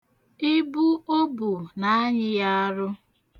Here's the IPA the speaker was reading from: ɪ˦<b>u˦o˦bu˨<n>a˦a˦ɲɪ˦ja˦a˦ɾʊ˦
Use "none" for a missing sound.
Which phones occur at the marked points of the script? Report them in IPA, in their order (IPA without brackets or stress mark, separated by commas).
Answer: b, n